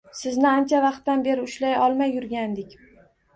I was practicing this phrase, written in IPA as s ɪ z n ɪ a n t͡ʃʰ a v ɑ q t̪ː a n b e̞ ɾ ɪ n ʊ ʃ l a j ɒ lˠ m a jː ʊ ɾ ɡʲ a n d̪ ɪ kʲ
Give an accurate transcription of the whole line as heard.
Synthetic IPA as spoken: s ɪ z n ɪ a n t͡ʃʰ a v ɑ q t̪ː a n b e̞ ɾ ɪ ʊ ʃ l a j ɒ lˠ m a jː ʊ ɾ ɡʲ a n d̪ ɪ kʲ

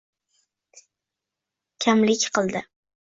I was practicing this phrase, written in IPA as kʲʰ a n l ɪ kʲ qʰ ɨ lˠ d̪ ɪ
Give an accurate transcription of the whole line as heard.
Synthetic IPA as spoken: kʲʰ a m l ɪ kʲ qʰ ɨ lˠ d̪ ɪ

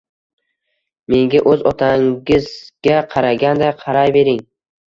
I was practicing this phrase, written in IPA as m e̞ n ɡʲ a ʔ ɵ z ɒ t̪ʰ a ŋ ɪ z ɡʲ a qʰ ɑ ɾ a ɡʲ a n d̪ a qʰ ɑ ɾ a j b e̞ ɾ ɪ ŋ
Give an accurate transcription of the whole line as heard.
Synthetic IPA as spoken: m e̞ ŋ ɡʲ a ʔ ɵ z ɒ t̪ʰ a ŋ ɪ z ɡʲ a qʰ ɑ ɾ a ɡʲ a n d̪ a qʰ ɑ ɾ a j b e̞ ɾ ɪ ŋ

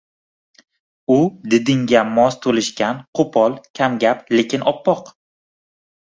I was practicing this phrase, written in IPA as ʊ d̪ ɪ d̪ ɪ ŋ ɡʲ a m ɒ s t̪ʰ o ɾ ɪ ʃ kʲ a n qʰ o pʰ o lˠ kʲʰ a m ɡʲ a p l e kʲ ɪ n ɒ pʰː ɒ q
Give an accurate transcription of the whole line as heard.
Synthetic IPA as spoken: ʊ d̪ ɪ d̪ ɪ ŋ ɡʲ a m ɒ s t̪ʰ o l ɪ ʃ kʲ a n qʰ o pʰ ɒ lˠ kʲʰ a m ɡʲ a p l e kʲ ɪ n ɒ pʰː ɒ q

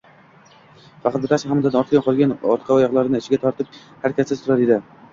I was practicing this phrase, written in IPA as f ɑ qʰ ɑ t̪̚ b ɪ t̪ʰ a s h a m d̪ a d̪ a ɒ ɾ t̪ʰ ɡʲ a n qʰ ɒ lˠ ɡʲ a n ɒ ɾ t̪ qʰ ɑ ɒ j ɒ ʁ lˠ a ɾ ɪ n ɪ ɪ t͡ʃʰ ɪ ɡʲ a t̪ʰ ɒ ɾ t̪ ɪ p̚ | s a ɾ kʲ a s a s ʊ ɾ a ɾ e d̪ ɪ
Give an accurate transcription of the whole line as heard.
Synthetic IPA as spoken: f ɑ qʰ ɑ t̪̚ b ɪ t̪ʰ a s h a m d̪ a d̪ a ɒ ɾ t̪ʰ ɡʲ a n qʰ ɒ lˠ ɡʲ a n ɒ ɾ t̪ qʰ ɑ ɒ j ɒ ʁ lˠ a ɾ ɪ n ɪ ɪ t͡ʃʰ ɪ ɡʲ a t̪ʰ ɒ ɾ t̪ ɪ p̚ | h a ɾ kʲ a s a s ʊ ɾ a ɾ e d̪ ɪ

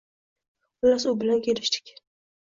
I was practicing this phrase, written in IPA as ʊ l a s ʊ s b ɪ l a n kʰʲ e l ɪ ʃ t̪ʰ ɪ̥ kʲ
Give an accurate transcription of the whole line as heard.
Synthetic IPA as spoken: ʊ l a s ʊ b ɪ l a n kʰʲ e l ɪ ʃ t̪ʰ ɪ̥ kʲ

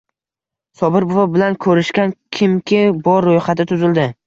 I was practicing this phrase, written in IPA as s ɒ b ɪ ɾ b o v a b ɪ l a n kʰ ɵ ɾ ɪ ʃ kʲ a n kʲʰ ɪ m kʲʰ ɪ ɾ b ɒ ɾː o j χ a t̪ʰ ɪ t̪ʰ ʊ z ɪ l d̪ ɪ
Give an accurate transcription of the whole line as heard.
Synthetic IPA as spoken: s ɒ b ɪ ɾ b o v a b ɪ l a n kʰ ɵ ɾ ɪ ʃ kʲ a n kʲʰ ɪ m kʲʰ ɪ b ɒ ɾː o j χ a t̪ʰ ɪ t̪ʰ ʊ z ɪ l d̪ ɪ

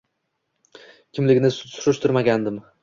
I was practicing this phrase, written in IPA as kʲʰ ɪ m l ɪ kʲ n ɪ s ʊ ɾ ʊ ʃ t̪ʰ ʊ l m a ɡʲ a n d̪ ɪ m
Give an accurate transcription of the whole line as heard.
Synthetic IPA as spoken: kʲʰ ɪ m l ɪ ɡʲ n ɪ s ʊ ɾ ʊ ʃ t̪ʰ ʊ ɾ m a ɡʲ a n d̪ ɪ m

